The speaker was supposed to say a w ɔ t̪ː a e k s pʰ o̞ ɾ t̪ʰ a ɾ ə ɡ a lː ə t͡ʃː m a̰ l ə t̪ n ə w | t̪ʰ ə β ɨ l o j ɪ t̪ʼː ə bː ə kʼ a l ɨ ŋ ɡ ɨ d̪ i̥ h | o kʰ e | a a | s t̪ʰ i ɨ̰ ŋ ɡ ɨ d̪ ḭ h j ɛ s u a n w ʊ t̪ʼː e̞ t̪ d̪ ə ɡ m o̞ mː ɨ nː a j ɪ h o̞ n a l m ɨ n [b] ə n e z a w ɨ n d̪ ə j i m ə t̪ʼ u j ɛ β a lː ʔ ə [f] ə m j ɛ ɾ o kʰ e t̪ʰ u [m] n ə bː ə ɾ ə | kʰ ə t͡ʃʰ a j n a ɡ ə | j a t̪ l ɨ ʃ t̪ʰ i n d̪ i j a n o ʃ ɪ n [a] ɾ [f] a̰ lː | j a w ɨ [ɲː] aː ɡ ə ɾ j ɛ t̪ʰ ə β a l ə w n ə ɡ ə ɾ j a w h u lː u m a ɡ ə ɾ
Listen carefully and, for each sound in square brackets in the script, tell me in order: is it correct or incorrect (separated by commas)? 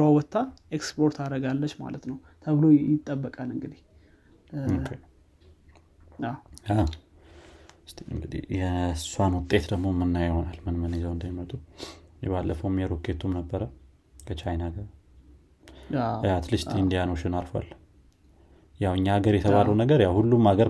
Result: incorrect, correct, correct, correct, correct, correct